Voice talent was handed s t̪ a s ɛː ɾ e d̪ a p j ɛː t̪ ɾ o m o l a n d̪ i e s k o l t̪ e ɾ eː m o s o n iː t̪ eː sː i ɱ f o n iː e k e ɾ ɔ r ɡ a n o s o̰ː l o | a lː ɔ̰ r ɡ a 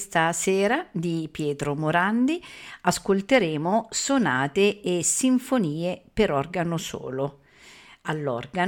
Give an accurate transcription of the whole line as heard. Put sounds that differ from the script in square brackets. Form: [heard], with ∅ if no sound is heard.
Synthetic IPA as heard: s t̪ a s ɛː ɾ [a] d̪ [i] p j ɛː t̪ ɾ o m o [ɾ] a n d̪ i [a] s k o l t̪ e ɾ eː m o s o n [aː] t̪ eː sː i ɱ f o n iː e [p] e ɾ ɔ r ɡ a n o s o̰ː l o | a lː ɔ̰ r ɡ a